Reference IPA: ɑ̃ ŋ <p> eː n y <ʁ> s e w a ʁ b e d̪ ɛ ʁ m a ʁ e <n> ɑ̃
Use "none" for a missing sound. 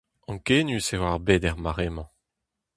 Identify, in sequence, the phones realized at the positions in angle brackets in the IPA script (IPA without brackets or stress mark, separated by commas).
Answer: k, none, m